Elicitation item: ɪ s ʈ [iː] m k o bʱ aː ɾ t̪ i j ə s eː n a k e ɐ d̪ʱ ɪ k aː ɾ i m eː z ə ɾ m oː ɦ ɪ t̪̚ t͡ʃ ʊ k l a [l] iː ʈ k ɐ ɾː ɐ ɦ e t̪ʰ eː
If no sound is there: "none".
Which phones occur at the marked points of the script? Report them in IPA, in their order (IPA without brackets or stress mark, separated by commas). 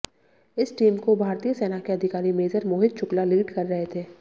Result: iː, l